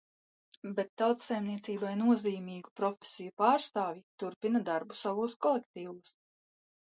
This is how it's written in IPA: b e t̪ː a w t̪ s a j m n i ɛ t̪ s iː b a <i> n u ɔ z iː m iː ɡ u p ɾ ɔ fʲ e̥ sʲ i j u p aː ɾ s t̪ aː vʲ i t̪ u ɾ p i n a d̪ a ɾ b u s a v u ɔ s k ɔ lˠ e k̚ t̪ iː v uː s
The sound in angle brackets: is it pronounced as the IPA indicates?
no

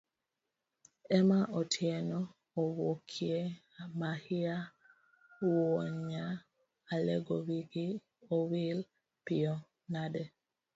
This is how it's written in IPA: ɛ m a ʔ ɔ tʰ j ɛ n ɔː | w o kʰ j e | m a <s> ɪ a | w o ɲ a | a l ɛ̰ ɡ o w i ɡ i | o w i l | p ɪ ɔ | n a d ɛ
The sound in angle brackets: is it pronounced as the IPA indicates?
no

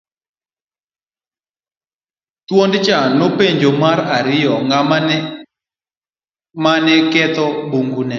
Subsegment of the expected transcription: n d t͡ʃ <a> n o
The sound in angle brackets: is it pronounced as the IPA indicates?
yes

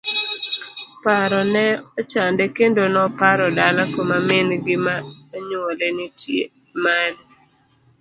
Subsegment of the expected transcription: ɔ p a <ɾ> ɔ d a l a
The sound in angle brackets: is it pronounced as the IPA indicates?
yes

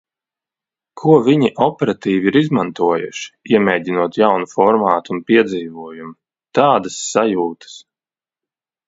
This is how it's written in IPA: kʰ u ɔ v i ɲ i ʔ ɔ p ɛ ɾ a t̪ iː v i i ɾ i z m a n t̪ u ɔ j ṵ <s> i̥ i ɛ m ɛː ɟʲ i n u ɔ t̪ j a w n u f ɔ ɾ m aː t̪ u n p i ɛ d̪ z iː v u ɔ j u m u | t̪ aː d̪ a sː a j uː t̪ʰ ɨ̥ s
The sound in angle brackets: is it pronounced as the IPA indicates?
no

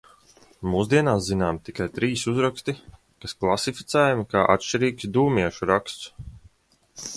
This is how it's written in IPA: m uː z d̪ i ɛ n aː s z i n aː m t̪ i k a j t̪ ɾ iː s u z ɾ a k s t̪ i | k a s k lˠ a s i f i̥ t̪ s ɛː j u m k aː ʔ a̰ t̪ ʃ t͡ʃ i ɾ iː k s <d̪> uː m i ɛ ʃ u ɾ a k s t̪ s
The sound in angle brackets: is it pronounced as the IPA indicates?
yes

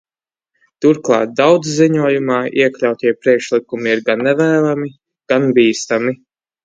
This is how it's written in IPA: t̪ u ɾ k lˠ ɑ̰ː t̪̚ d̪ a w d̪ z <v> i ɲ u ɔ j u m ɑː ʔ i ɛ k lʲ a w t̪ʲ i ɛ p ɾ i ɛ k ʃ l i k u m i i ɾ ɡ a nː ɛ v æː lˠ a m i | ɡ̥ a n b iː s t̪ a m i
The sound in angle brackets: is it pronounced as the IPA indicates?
no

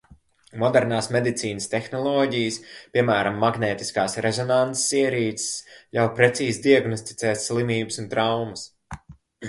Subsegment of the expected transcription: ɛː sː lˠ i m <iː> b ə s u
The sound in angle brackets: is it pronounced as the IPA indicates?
yes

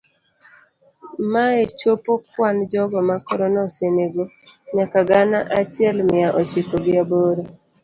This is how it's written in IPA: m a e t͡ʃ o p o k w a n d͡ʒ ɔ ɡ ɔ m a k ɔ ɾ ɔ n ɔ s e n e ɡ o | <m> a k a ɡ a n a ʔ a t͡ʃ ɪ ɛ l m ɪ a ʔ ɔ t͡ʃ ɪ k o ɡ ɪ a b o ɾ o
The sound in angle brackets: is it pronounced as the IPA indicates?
no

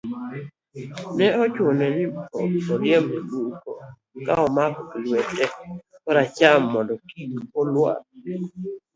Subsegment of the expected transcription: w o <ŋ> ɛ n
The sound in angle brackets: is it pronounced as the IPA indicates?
no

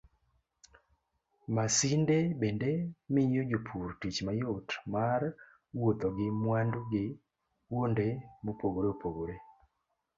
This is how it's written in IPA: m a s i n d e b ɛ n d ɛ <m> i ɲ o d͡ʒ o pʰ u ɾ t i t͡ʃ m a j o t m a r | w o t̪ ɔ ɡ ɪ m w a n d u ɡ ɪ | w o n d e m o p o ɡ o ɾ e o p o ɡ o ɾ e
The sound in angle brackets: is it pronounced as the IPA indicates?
yes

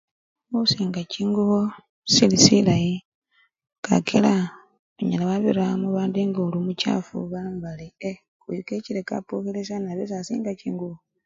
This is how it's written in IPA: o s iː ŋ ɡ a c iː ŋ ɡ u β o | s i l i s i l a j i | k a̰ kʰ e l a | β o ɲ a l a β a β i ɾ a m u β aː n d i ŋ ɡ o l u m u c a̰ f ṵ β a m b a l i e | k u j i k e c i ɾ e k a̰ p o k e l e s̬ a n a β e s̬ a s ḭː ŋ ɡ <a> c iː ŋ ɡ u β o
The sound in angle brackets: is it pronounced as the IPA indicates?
yes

